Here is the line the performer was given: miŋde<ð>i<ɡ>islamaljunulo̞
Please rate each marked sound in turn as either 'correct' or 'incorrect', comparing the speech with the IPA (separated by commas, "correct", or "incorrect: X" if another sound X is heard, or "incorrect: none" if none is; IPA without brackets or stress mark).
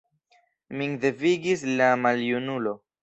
incorrect: v, correct